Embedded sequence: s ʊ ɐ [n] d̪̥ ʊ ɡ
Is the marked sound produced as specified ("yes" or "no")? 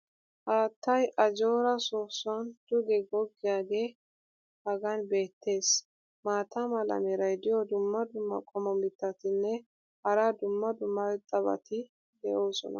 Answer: yes